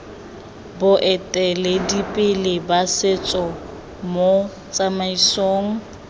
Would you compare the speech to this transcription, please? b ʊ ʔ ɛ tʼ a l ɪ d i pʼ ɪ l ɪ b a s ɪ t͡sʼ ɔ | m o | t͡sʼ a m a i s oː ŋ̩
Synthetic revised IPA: b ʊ ʔ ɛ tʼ ɛ l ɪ d i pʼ ɪ l ɪ b a s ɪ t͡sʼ ɔ | m o | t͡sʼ a m a i s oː ŋ̩